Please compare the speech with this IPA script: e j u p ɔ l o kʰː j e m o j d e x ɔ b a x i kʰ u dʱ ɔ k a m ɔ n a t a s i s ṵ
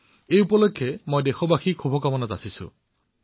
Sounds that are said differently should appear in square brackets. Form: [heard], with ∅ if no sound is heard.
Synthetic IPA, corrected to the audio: e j u p ɔ l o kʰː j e m o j d e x ɔ b a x i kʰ u [bʱ] ɔ k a m ɔ n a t a s i s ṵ

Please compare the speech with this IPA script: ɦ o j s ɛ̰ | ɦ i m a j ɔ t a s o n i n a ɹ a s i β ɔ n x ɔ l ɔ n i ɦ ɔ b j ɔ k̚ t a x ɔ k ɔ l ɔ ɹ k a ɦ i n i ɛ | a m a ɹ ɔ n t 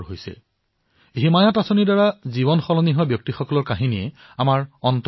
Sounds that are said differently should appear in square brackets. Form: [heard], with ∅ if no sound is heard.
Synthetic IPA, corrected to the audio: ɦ o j s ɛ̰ | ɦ i m a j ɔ t a s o n i [d] a ɹ a [z] i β ɔ n x ɔ l ɔ n i ɦ ɔ b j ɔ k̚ t [i] x ɔ k ɔ l ɔ ɹ k a ɦ i n i ɛ | a m a ɹ ɔ n t

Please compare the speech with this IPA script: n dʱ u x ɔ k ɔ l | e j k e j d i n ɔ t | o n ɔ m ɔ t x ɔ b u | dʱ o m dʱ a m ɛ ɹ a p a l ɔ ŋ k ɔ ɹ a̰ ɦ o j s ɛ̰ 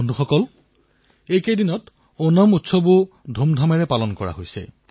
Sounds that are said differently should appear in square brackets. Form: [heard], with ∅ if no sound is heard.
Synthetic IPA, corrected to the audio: n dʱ u x ɔ k ɔ l | e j k e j d i n ɔ t | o n ɔ m [u] t [s] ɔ b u | dʱ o m dʱ a m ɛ ɹ [ɛ] p a l ɔ [n] k ɔ ɹ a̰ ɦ o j s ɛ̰

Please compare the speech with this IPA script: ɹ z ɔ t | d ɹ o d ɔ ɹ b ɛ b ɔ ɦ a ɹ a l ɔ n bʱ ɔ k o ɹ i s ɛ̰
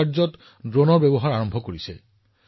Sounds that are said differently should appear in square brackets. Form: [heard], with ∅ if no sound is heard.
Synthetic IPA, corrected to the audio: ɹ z ɔ t | d ɹ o [n] ɔ ɹ b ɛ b ɔ ɦ a ɹ a [ɹ] ɔ [m] bʱ ɔ k o ɹ i s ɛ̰

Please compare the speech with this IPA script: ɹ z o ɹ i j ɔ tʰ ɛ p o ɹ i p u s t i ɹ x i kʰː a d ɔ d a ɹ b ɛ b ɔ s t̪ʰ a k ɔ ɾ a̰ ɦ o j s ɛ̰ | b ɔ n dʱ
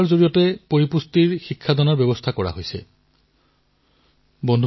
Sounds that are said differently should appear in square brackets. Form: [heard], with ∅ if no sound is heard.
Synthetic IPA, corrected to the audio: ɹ z o ɹ i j ɔ [t] ɛ p o ɹ i p u s t i ɹ x i kʰː a d ɔ [n] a ɹ b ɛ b ɔ s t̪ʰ a k ɔ [ɹ] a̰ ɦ o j s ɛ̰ | b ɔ n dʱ

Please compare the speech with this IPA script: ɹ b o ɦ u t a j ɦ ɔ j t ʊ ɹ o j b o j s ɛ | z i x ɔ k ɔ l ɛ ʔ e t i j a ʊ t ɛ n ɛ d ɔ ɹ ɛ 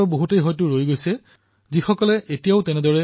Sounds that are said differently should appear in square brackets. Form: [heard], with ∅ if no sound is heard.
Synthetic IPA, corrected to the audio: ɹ b o ɦ u t [e] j ɦ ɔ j t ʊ ɹ o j [ɡ] o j s ɛ | z i x ɔ k ɔ l ɛ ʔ e t i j a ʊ t ɛ n ɛ d ɔ ɹ ɛ

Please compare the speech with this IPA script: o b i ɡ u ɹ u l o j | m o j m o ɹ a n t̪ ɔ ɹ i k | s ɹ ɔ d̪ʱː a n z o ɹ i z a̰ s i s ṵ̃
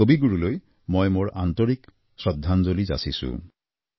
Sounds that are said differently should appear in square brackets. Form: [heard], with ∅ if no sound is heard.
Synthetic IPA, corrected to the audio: o b i ɡ u ɹ u l o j | m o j m o ɹ a n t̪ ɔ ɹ i k | s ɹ ɔ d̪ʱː a n z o [l] i z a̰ s i s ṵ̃

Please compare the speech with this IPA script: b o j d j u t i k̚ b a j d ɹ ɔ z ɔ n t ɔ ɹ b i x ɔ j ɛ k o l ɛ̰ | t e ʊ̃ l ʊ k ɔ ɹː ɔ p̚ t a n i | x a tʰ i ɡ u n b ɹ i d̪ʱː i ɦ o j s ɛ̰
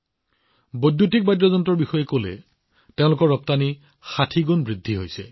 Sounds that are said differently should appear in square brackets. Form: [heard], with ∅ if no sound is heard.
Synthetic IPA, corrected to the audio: b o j d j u t i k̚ b a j d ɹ ɔ z ɔ n t ɔ ɹ b i x ɔ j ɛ k o l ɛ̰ | t e ʊ̃ l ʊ k ɔ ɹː ɔ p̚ t a n i | x a tʰ i ɡ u n b ɹ i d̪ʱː i ɦ o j s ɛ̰

